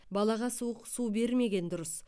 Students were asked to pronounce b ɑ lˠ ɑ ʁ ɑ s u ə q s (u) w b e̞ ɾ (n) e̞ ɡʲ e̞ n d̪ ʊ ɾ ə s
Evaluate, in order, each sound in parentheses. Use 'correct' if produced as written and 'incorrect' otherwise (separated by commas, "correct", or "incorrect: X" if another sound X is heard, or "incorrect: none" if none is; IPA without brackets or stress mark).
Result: correct, incorrect: m